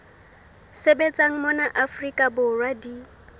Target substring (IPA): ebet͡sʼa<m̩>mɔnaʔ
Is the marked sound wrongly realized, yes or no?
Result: yes